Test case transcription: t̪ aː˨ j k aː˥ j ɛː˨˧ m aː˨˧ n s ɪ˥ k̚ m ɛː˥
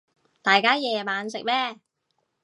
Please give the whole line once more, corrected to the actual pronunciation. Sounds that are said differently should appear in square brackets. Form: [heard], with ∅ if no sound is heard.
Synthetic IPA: t̪ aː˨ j k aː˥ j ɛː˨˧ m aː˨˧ n s [ɪ˨] k̚ m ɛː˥